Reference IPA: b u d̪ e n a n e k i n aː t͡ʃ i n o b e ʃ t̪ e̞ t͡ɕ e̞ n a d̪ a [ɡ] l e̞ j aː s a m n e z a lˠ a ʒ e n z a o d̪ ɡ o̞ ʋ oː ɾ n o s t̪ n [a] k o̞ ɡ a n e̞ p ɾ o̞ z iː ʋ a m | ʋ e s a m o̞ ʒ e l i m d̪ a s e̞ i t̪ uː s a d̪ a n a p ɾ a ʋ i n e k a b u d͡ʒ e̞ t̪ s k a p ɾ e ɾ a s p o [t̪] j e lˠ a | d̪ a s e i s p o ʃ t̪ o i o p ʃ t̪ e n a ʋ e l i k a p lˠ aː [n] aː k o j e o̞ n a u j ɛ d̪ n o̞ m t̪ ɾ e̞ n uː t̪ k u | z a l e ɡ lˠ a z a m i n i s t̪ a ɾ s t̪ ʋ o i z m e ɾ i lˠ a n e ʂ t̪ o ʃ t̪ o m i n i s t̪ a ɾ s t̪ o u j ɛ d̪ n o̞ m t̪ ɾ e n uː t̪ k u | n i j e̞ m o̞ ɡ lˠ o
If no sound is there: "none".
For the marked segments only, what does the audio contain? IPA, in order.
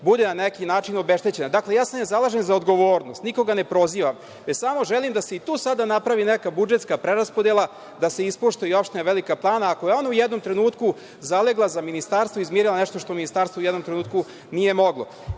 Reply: k, i, d̪, n

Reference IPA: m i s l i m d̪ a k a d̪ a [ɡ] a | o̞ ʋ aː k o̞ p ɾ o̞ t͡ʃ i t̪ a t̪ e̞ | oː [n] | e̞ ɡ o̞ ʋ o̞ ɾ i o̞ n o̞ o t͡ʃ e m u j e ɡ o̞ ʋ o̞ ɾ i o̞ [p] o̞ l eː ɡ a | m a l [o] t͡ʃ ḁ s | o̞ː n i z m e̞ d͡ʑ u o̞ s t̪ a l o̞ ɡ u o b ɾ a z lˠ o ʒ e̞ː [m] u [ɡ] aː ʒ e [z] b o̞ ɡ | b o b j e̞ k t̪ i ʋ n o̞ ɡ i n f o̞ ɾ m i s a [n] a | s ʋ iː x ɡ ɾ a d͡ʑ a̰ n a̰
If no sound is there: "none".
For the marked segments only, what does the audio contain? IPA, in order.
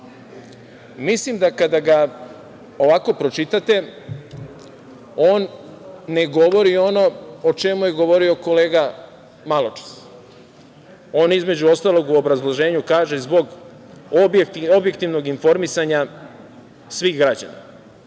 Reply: ɡ, nː, k, o, ɲ, k, z, ɲ

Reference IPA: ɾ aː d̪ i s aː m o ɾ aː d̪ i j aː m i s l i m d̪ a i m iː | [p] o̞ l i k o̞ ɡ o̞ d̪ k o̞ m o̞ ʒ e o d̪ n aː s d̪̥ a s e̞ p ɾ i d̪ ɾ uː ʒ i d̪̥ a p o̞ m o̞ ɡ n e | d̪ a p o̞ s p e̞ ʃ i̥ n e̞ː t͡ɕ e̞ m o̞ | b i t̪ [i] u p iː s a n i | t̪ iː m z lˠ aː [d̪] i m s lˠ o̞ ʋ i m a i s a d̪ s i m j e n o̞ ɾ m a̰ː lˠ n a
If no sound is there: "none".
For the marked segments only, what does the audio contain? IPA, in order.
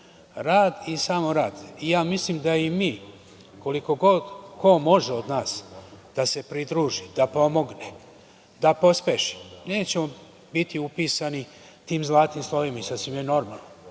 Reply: k, i, t̪

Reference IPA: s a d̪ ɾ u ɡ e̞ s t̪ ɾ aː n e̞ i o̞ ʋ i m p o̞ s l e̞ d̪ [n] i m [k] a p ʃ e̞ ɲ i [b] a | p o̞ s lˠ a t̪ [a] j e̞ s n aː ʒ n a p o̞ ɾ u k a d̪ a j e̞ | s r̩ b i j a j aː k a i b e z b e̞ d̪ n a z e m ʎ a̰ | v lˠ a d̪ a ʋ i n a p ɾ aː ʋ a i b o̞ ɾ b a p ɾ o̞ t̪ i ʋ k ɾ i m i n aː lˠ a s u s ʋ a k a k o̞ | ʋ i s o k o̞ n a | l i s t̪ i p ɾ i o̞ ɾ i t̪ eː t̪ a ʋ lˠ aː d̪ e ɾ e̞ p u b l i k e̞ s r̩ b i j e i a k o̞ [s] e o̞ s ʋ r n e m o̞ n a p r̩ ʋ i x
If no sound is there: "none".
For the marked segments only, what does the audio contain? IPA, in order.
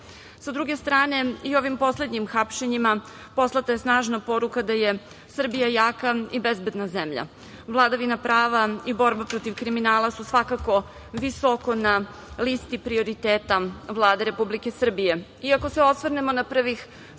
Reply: ɲ, x, m, a, s

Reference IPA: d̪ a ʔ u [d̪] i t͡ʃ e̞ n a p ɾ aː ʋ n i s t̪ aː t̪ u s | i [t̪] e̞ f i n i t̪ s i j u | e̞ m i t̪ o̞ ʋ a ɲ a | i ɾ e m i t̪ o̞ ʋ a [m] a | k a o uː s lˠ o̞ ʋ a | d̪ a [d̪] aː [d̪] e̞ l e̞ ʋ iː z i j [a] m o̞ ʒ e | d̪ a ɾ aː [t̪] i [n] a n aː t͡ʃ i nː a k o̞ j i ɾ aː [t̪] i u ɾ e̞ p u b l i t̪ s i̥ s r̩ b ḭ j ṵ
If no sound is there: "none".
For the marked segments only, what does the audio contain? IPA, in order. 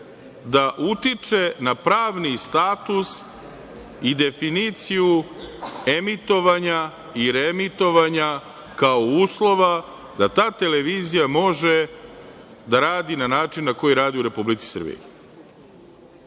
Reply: t̪, d̪, ɲ, t̪, t̪, a, d̪, n, d̪

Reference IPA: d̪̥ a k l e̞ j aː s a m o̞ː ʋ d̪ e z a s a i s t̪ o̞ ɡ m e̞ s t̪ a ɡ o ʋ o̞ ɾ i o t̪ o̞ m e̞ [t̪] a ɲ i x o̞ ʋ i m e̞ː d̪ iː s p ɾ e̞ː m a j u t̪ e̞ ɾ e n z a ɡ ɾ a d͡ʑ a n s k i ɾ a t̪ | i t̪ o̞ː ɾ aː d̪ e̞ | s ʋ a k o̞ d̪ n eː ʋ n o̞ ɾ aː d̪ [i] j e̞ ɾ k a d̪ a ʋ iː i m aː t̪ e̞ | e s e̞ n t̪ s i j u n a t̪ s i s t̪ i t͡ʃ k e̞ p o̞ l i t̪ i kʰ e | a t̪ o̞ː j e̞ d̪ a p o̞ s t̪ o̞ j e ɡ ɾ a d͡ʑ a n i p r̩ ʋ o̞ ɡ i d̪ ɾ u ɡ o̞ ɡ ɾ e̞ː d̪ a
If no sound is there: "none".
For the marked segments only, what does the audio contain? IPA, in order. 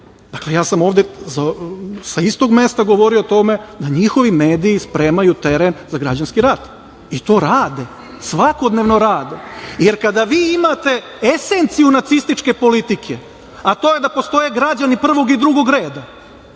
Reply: d̪, e

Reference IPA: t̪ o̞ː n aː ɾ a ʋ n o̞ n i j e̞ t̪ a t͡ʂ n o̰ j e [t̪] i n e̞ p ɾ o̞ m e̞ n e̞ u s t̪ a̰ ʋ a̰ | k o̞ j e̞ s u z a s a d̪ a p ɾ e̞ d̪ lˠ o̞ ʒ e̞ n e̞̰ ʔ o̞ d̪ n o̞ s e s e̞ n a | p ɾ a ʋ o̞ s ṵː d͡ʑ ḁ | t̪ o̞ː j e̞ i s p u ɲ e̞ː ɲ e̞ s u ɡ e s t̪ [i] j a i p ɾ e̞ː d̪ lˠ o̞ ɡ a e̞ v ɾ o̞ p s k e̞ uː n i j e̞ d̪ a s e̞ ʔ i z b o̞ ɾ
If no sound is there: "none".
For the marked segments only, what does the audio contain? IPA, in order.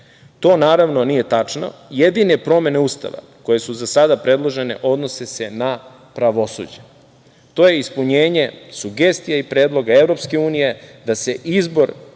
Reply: d̪, i

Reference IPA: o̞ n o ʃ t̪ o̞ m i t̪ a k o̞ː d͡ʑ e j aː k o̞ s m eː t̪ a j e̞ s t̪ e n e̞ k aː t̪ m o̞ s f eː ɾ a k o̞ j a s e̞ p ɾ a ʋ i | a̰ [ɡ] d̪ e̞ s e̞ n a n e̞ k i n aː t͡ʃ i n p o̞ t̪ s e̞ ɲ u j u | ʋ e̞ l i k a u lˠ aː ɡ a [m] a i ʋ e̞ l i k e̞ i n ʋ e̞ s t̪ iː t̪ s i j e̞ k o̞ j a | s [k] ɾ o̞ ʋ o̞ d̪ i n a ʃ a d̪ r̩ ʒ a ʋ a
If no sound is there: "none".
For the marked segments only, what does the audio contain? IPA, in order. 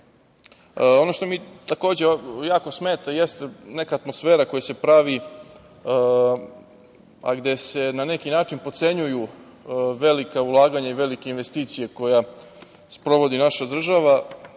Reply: ɡ, ɲ, p

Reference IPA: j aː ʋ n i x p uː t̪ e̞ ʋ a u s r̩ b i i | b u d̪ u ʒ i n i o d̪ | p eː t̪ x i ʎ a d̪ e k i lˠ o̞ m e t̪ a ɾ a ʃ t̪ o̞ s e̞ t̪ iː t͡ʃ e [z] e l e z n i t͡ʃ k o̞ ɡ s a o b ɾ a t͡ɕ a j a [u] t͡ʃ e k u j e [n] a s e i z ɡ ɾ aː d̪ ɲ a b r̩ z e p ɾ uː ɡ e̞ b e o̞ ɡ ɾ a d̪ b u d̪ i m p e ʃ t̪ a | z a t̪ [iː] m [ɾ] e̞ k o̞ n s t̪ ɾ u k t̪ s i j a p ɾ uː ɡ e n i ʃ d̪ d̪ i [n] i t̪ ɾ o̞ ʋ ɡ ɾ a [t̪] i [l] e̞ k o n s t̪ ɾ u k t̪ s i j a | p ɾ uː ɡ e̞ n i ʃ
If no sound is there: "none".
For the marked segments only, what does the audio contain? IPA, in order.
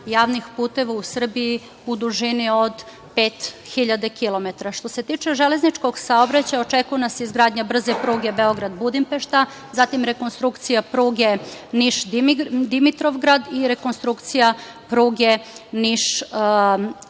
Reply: ʒ, o, n, i, ɾ, m, d̪, ɾ

